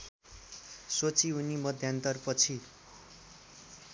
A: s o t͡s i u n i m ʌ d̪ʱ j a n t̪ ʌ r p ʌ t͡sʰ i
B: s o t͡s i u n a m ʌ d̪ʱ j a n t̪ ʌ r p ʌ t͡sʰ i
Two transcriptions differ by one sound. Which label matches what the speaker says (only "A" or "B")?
A